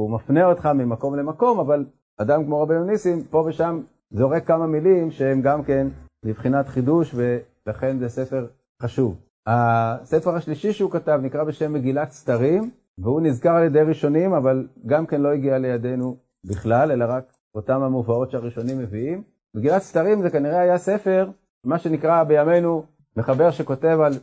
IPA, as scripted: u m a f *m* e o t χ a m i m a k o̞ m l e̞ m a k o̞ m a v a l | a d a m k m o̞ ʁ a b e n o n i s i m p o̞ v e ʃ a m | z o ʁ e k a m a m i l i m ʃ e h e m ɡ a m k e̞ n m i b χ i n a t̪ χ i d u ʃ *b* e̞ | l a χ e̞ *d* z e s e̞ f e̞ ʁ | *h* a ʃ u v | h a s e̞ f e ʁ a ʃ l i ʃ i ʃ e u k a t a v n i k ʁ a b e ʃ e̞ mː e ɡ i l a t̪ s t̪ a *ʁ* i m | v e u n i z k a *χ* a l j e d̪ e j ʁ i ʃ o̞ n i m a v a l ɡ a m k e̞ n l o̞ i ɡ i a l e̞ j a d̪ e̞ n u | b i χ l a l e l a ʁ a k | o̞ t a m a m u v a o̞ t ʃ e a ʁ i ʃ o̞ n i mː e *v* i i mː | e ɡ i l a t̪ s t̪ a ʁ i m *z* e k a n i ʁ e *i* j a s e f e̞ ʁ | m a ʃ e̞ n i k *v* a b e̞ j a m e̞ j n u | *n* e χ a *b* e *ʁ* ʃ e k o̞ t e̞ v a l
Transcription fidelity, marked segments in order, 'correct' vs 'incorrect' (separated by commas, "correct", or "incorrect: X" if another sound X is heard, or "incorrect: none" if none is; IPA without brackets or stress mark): incorrect: n, incorrect: v, incorrect: n, incorrect: χ, correct, incorrect: ʁ, correct, correct, incorrect: a, incorrect: ʁ, incorrect: m, correct, correct